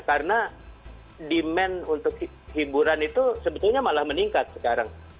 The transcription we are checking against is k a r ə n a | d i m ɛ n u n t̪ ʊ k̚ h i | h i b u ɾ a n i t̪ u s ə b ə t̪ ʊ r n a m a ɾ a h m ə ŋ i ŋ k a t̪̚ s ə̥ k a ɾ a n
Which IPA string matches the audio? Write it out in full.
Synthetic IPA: k a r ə n a | d i m ɛ n u n t̪ ʊ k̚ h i | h i b u ɾ a n i t̪ u s ə b ə t̪ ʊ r ɲ a m a l a h m ə n i ŋ k a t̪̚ s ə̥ k a ɾ a ŋ